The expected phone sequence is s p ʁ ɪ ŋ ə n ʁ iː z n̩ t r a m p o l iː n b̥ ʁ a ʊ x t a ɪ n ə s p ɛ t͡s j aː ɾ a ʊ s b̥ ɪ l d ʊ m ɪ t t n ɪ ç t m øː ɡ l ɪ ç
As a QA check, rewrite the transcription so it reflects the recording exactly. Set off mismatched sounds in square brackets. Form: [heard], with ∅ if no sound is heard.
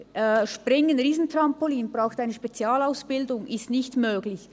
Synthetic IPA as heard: [ʃ] p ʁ ɪ ŋ ə n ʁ iː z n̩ t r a m p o l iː n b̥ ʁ a ʊ x t a ɪ n ə [ʃ] p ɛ t͡s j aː [l] a ʊ s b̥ ɪ l d ʊ [ŋ] ɪ [s] t n ɪ ç t m øː ɡ l ɪ ç

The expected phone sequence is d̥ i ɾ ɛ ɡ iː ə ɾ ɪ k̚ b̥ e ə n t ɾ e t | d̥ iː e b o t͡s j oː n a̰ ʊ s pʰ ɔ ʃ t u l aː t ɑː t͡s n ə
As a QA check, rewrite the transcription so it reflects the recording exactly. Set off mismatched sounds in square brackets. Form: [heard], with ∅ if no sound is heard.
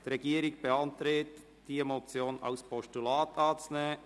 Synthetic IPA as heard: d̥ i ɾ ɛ ɡ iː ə ɾ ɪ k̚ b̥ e [ɑ] n t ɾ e t | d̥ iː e [m] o t͡s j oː n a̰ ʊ s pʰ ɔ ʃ t u l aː t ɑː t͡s n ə

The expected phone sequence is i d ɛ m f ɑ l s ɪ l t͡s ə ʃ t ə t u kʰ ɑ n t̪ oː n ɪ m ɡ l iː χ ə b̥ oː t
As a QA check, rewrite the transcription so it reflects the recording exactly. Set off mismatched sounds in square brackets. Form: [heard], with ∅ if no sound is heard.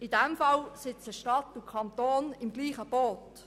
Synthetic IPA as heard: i d ɛ m f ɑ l s ɪ [∅] t͡s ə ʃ t [ɑ] t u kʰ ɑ n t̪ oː n ɪ m ɡ l iː χ ə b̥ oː t

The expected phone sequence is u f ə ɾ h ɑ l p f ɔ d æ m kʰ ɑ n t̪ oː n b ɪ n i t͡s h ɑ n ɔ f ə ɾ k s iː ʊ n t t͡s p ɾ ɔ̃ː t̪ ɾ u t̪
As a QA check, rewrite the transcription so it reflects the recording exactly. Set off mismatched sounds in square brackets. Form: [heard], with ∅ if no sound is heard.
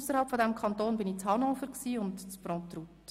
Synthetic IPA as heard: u [s] ə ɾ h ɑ l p f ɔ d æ m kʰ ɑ n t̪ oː n b ɪ n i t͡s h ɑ n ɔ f ə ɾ k s iː ʊ n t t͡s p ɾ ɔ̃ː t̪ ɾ u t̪

